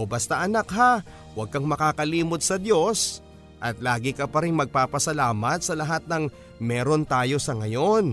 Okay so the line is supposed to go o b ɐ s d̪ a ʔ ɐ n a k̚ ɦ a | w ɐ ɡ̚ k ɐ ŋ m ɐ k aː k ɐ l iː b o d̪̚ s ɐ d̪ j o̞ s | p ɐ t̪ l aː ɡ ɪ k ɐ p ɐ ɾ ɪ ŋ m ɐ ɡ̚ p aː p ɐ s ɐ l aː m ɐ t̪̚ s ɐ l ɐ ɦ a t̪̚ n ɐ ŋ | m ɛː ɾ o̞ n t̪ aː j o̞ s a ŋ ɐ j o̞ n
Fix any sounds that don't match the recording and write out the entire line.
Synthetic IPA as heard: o b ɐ s t̪ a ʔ ɐ n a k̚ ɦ a | w ɐ ɡ̚ k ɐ ŋ m ɐ k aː k ɐ l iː m o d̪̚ s ɐ d̪ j o̞ s | ʔ ɐ t̪ l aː ɡ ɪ k ɐ p ɐ ɾ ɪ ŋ m ɐ ɡ̚ p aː p ɐ s ɐ l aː m ɐ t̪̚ s ɐ l ɐ ɦ a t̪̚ n ɐ ŋ | m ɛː ɾ o̞ n t̪ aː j o̞ s ɐ ŋ ɐ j o̞ n